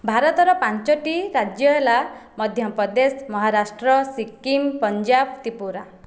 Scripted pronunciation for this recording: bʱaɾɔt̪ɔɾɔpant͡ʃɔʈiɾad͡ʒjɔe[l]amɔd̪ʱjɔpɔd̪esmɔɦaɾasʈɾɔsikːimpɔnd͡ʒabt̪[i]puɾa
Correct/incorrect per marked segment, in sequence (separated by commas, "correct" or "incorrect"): correct, correct